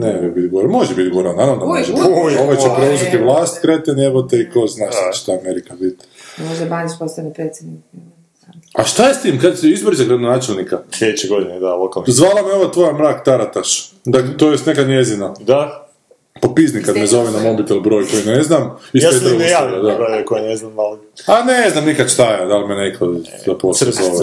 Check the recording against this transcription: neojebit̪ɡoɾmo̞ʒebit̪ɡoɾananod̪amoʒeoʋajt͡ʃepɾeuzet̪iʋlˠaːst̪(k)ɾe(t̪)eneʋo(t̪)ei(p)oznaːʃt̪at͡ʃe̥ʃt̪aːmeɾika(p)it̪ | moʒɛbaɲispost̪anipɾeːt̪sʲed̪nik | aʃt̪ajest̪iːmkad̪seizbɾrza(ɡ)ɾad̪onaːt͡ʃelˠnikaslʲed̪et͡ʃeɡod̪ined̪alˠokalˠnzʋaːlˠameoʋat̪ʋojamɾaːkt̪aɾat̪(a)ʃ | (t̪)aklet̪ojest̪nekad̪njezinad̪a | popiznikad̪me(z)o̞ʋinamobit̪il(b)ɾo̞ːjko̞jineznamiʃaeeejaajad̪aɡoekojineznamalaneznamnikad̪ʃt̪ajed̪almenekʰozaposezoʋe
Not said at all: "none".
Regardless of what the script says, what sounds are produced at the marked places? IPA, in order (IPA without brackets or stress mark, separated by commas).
k, t̪, t̪, k, b, ɡ, a, d̪, z, b